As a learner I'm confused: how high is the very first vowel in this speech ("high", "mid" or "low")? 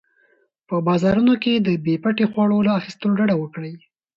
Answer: mid